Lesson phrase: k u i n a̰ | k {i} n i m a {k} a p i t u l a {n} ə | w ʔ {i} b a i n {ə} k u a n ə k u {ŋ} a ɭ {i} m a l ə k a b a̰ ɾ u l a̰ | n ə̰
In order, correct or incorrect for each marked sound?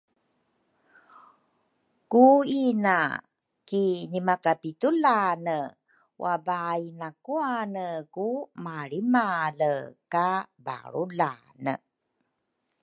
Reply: correct, correct, correct, incorrect: a, incorrect: a, incorrect: m, correct

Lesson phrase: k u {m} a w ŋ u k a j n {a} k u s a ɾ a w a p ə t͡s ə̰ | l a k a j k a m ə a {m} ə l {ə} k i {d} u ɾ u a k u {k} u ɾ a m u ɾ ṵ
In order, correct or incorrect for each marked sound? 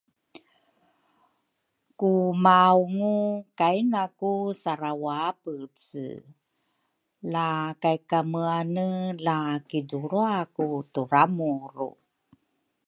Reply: correct, correct, incorrect: n, incorrect: a, correct, incorrect: t

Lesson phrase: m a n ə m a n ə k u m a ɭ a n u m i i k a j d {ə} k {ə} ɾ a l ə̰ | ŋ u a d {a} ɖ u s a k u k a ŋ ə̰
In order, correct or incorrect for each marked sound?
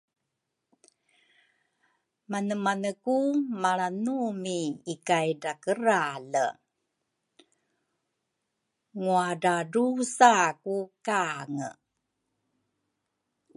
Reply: incorrect: a, correct, correct

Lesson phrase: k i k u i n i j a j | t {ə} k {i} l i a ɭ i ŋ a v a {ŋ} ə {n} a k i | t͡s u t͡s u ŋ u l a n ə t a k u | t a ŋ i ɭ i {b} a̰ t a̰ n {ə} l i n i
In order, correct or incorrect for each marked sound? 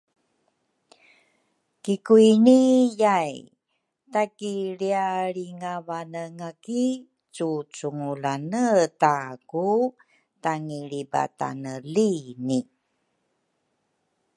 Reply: incorrect: a, correct, incorrect: n, incorrect: ŋ, correct, correct

